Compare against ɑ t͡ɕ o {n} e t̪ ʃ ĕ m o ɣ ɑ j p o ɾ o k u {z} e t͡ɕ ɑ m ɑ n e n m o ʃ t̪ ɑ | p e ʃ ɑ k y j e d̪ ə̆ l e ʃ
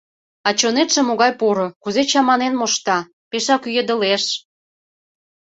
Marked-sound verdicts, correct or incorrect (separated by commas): correct, correct